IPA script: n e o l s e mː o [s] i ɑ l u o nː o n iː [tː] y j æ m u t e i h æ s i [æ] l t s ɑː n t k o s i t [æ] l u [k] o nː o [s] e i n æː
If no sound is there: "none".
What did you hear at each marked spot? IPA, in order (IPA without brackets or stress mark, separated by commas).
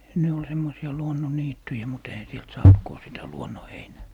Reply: s, tː, e, æ, none, h